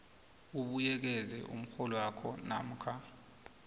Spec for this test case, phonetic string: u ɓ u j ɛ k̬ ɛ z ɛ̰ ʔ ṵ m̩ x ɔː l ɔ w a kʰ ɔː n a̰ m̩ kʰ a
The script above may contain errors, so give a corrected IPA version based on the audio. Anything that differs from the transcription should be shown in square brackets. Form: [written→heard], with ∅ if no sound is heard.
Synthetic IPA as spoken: u ɓ u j ɛ k̬ ɛ z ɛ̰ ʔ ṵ m̩ x [ɔː→ɔ] l ɔ w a kʰ [ɔː→ɔ] n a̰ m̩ kʰ a

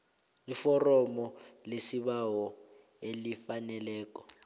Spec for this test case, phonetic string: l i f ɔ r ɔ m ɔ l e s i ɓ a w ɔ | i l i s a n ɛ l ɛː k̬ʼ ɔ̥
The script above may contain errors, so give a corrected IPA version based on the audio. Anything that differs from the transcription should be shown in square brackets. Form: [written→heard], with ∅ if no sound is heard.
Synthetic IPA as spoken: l i f ɔ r ɔ m ɔ l e s i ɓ a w ɔ | [i→e] l i [s→f] a n ɛ l ɛː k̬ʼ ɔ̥

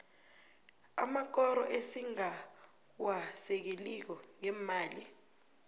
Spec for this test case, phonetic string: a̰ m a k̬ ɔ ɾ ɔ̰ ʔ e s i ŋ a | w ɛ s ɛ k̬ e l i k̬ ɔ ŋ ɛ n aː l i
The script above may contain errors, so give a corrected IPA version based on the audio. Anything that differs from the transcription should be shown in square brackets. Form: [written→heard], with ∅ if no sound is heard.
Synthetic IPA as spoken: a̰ m a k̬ ɔ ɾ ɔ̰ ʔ e s i ŋ a | w [ɛ→a] s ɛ k̬ e l i k̬ ɔ ŋ ɛ [n→m] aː l i

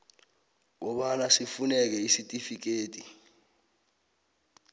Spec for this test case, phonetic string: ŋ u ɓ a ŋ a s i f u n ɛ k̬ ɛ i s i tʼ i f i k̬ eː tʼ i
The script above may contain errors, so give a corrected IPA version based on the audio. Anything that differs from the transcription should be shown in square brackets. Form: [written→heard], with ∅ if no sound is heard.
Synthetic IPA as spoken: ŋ [u→ɔ] ɓ a [ŋ→n] a s i f u n ɛ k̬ ɛ i s i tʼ i f i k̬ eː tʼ i

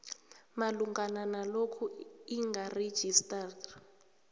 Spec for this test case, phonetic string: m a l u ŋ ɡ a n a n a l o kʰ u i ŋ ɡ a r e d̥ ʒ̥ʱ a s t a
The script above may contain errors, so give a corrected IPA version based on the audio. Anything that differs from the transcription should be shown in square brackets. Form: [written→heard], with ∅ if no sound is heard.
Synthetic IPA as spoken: m a l u ŋ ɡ a n a n a l o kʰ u i ŋ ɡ a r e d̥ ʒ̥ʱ [a→i] s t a

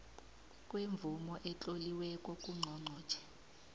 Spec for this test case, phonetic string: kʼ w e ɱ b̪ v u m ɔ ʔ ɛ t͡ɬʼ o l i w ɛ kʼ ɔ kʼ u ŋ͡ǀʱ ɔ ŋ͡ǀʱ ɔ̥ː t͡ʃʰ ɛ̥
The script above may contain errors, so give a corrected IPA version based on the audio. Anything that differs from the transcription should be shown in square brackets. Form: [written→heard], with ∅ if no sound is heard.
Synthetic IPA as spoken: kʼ w e ɱ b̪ v u m ɔ ʔ ɛ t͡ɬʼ o l i w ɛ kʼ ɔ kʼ u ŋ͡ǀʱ ɔ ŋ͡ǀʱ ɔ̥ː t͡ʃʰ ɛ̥

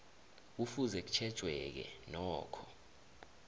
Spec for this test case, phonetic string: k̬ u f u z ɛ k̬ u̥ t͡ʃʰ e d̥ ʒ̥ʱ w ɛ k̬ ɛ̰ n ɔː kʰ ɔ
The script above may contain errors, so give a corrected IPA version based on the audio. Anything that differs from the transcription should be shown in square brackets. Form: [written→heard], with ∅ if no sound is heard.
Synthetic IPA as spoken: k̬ u f u z ɛ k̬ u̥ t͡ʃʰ [e→ɛ] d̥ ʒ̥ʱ w ɛ k̬ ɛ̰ n ɔː kʰ ɔ

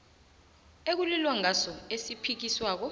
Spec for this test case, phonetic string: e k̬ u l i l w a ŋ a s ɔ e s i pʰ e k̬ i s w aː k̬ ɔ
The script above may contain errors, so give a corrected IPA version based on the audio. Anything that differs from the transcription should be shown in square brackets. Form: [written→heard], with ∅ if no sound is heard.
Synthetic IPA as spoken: e k̬ u l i l w a ŋ a s ɔ e s i pʰ [e→i] k̬ i s w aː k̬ ɔ

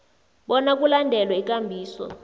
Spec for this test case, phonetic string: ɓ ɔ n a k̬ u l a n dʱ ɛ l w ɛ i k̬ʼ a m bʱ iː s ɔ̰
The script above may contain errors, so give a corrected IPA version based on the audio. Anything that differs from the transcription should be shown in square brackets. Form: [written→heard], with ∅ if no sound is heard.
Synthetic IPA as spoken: ɓ ɔ n a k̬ u l a n dʱ ɛ l w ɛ i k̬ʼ a m bʱ iː s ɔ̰

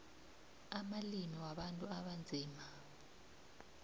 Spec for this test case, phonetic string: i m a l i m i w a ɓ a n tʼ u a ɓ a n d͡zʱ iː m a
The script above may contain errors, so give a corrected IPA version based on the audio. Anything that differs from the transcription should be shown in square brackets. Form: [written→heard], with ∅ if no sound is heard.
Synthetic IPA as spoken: [i→a] m a l i m i w a ɓ a n tʼ u a ɓ a n d͡zʱ iː m a

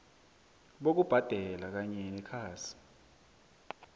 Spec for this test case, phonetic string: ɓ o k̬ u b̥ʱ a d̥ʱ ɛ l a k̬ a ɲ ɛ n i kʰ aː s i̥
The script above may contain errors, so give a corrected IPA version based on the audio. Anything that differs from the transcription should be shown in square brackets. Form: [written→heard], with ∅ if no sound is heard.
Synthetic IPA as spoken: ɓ o k̬ u b̥ʱ a d̥ʱ ɛ l a k̬ a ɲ ɛ n [i→ɛ] kʰ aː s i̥

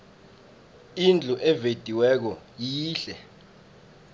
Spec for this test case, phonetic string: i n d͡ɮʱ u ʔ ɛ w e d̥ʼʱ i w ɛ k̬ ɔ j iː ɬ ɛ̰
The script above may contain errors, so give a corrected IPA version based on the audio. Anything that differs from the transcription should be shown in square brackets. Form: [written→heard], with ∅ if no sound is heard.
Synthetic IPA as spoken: i n d͡ɮʱ u ʔ ɛ [w→v] e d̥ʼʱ i w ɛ k̬ ɔ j iː ɬ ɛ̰

